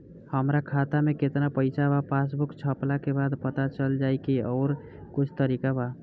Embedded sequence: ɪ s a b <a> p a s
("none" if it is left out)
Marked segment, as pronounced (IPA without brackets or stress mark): a